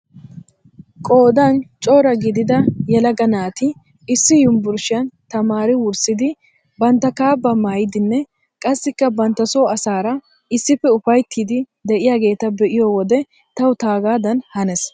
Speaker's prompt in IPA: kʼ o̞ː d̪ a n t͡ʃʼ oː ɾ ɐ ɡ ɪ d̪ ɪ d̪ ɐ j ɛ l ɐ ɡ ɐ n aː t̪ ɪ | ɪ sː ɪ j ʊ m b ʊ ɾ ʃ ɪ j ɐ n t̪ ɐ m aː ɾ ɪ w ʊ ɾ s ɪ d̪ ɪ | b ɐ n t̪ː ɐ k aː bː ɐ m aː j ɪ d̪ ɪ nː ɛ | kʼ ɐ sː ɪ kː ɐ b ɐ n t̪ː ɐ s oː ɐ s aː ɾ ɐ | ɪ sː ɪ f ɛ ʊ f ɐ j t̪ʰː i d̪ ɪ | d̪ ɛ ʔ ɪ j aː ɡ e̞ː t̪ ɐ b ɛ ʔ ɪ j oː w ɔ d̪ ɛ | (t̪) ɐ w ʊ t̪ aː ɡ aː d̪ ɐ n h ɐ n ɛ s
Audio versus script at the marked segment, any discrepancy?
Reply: no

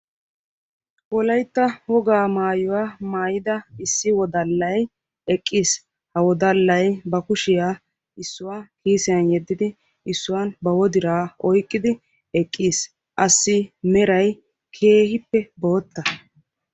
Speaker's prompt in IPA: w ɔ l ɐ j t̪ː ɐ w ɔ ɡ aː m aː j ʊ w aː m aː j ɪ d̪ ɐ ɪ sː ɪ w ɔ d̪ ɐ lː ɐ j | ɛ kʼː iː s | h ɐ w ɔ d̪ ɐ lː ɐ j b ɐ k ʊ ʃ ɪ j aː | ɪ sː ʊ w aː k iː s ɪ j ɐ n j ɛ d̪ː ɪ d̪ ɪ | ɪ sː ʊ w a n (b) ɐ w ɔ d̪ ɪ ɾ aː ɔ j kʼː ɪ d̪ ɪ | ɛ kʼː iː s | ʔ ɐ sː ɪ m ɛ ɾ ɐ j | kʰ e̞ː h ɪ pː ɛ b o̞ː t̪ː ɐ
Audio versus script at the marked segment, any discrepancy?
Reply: no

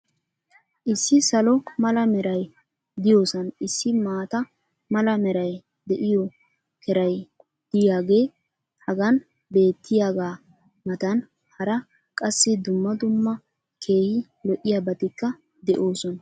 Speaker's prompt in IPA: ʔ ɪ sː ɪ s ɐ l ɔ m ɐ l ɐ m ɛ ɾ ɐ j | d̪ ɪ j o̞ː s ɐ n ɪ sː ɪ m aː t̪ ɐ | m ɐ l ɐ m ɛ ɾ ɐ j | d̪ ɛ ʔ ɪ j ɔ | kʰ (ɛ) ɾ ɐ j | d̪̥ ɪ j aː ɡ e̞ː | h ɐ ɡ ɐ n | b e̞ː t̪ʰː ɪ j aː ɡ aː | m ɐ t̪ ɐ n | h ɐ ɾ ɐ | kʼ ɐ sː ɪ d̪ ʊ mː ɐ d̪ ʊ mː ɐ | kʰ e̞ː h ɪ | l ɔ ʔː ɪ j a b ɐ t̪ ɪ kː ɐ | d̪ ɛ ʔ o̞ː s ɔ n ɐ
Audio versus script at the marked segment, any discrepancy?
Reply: no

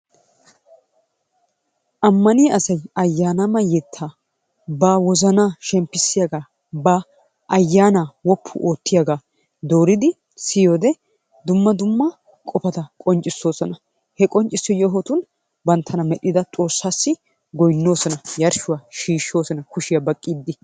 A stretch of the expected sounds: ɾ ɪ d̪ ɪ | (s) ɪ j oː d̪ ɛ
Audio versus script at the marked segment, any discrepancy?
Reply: no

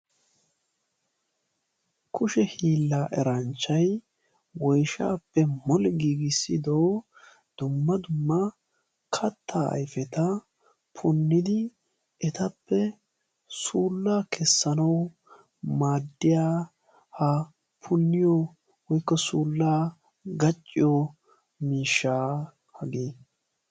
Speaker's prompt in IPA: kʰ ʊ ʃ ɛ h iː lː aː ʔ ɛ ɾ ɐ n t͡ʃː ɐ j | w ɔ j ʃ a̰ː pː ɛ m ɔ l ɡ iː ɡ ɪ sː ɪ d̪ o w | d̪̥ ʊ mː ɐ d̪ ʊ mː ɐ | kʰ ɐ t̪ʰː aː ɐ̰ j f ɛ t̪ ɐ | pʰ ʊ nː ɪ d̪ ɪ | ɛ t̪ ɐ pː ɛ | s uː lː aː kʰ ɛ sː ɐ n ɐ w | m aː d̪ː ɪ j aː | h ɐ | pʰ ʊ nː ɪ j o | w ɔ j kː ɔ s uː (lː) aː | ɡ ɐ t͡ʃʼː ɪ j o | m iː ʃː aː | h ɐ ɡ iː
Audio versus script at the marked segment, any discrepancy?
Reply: no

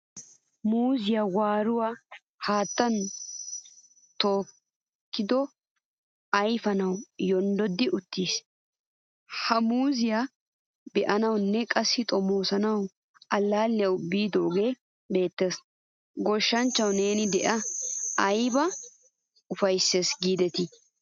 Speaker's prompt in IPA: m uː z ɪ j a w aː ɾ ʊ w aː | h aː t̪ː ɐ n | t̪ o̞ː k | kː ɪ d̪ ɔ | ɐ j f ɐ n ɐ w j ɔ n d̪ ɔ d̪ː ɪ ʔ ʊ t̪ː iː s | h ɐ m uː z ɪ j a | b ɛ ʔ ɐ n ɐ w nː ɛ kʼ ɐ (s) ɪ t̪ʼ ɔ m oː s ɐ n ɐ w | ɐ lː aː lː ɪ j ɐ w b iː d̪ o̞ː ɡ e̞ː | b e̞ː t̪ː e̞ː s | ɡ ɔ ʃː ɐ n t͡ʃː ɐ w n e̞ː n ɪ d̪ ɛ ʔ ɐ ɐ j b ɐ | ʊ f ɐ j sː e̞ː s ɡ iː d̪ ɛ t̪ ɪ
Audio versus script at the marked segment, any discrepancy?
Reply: yes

